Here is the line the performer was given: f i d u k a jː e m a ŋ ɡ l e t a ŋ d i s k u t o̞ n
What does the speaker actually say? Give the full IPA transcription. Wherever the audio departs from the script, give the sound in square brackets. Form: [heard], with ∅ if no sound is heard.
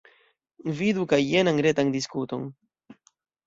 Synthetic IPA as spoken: [v] i d u k a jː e [n] a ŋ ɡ [ɾ] e t a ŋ d i s k u t o̞ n